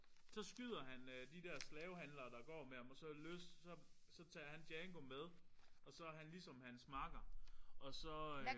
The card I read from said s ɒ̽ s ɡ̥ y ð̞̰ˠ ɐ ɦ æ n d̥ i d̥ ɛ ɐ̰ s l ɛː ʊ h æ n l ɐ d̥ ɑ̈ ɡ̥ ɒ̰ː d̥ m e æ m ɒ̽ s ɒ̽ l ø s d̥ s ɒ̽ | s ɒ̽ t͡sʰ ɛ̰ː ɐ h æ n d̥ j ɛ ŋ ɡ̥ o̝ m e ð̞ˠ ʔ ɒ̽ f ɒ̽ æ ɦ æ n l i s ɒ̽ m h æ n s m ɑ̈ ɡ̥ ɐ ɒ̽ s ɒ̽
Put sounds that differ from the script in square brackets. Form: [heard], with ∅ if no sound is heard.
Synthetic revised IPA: s ɒ̽ s ɡ̥ y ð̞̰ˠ ɐ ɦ æ n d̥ i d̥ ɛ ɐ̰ s l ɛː ʊ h æ n l ɐ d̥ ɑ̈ ɡ̥ ɒ̰ː [∅] m e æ m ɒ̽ s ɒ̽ l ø s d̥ s ɒ̽ | s ɒ̽ t͡sʰ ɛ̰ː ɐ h æ n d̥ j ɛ ŋ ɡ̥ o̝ m e ð̞ˠ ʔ ɒ̽ [s] ɒ̽ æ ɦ æ n l i s ɒ̽ m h æ n s m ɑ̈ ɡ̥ ɐ ɒ̽ s ɒ̽

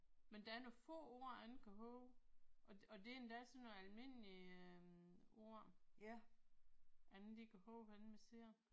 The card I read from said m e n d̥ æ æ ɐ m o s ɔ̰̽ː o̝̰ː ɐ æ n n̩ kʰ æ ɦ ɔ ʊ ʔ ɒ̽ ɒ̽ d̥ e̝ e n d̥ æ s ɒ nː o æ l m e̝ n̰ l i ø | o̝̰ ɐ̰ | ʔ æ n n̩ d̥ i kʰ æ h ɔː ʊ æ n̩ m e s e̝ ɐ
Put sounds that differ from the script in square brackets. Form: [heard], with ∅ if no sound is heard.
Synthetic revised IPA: m e n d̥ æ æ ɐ [n] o [f] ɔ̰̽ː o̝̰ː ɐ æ n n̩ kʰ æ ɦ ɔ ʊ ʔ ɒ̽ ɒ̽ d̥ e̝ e n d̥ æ s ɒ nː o æ l m e̝ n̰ l i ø | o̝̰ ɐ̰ | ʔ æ n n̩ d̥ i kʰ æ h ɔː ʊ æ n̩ m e s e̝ ɐ

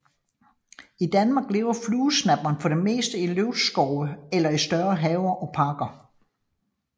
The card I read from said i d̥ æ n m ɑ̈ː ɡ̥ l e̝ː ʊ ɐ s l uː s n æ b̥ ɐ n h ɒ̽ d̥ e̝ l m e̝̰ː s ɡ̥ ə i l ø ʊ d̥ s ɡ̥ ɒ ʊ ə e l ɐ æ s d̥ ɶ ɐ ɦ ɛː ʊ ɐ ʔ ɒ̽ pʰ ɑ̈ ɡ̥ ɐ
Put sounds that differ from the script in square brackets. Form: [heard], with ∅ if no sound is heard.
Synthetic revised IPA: i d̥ æ n m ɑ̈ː ɡ̥ l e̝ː ʊ ɐ [f] l uː s n æ b̥ ɐ n [f] ɒ̽ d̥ e̝ [∅] m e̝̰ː s [d̥] ə i l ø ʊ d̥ s ɡ̥ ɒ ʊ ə e l ɐ [i] s d̥ ɶ ɐ ɦ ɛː ʊ ɐ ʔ ɒ̽ pʰ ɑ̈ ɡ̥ ɐ

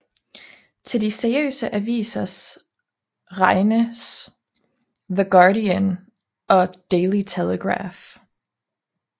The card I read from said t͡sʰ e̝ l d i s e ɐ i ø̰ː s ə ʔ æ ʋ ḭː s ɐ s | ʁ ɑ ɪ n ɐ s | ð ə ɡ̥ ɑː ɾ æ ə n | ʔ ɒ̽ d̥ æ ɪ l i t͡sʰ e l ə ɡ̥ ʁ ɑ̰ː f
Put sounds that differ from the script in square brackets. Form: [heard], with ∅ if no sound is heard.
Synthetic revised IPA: t͡sʰ e̝ l d i s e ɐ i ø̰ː s ə ʔ æ ʋ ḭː s ɐ s | ʁ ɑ ɪ n [ə] s | ð ə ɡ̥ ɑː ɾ [i] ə n | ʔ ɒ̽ d̥ [e] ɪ l i t͡sʰ e l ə ɡ̥ ʁ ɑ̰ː f

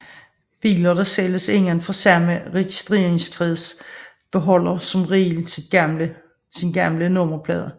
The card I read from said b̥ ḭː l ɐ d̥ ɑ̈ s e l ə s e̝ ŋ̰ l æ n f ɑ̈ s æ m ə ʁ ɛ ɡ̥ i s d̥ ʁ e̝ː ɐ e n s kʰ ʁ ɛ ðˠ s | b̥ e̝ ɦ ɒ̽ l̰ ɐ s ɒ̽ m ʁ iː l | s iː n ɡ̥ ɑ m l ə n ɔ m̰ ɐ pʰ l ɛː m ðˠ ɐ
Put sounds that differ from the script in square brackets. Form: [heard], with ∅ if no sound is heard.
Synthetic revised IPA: b̥ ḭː l ɐ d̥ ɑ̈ s e l ə s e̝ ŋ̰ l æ n f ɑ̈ s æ m ə ʁ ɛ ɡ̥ i s d̥ ʁ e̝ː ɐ e [ŋ] s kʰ ʁ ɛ ðˠ s | b̥ e̝ ɦ ɒ̽ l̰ ɐ s ɒ̽ m ʁ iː l | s [i] n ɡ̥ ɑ m l ə n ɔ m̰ ɐ pʰ l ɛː [∅] ðˠ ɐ

